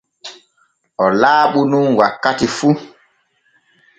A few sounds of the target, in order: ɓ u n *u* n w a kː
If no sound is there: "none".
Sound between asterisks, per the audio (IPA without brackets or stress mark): u